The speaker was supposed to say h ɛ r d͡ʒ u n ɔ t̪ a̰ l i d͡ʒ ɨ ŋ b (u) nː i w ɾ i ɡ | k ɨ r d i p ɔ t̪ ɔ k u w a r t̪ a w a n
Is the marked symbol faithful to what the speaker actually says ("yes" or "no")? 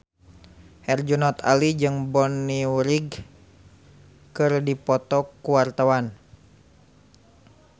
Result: no